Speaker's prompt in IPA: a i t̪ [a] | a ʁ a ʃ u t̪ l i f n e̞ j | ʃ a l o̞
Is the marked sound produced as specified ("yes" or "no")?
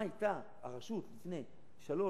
yes